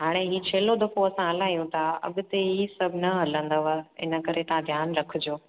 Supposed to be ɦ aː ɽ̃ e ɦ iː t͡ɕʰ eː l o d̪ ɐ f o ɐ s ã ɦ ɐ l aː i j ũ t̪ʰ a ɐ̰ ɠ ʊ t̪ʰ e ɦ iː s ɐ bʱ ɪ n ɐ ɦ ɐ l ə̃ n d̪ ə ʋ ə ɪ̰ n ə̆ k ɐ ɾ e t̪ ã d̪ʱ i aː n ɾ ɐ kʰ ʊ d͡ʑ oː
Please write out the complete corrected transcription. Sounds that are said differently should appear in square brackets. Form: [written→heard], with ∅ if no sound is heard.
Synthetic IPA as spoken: ɦ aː ɽ̃ e ɦ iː t͡ɕʰ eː l o d̪ ɐ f o ɐ s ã ɦ ɐ l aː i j ũ t̪ʰ a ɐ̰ ɠ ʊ [t̪ʰ→t̪] e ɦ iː s ɐ bʱ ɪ n ɐ ɦ ɐ l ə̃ n d̪ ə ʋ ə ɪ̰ n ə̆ k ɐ ɾ e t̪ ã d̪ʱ [i→j] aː n ɾ ɐ kʰ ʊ d͡ʑ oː